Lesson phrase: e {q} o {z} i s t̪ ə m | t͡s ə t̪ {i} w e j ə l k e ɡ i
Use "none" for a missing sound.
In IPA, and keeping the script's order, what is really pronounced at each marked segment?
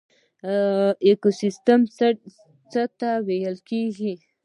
k, s, a

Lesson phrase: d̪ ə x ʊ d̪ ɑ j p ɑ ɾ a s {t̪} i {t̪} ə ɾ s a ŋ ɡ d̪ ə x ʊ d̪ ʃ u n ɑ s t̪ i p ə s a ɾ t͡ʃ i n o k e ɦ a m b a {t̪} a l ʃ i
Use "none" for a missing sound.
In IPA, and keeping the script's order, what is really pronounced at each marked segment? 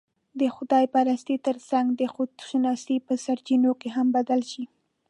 t̪, t̪, d̪

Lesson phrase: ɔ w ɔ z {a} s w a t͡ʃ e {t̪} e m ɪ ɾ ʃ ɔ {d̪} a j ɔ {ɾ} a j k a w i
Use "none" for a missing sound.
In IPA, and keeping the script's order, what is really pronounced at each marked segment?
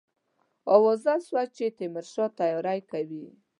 a, t̪, t̪, ɾ

